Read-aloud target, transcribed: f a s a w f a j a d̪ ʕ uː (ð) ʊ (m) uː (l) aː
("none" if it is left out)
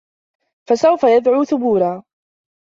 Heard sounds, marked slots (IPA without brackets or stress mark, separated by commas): θ, b, ɾ